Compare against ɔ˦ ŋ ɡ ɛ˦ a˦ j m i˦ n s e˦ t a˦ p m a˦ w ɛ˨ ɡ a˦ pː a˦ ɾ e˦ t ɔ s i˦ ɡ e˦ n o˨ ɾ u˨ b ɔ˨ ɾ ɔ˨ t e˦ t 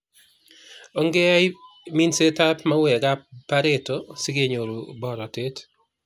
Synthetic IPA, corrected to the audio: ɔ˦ ŋ ɡ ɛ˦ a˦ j m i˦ n s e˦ t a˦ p m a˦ w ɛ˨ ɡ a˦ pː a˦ ɾ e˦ t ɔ s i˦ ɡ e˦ ɲ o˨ ɾ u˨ b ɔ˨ ɾ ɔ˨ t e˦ t